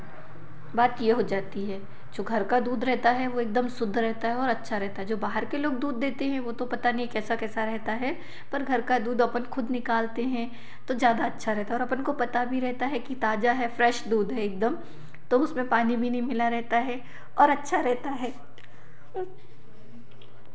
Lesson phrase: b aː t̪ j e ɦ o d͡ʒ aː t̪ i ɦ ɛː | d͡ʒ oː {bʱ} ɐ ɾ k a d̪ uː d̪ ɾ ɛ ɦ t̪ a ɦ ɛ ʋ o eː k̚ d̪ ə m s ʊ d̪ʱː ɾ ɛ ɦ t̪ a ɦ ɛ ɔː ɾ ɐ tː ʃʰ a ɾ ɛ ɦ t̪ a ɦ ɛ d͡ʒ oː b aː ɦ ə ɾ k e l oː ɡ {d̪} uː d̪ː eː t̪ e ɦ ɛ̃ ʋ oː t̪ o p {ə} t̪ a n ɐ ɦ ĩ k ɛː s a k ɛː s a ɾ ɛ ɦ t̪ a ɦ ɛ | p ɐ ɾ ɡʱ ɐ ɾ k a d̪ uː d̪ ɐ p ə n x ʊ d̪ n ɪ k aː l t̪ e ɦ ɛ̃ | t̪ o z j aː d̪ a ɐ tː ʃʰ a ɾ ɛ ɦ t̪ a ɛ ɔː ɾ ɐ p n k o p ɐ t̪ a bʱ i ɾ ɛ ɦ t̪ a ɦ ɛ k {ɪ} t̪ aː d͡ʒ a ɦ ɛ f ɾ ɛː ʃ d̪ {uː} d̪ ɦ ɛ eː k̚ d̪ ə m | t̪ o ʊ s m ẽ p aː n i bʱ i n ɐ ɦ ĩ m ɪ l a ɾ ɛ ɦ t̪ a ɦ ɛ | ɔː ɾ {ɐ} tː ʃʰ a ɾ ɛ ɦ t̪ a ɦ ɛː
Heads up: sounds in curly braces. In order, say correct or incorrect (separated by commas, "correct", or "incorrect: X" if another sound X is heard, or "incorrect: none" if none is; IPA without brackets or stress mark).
incorrect: ɡʱ, correct, incorrect: ɐ, incorrect: i, correct, correct